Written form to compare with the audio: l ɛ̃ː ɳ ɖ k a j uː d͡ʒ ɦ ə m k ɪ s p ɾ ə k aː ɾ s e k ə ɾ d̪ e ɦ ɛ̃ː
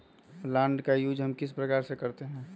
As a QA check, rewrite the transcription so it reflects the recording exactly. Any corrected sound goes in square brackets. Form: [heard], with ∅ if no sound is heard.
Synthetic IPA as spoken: l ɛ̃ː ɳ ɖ k a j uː d͡ʒ ɦ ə m k ɪ s p ɾ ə k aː ɾ s e k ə ɾ [t̪] e ɦ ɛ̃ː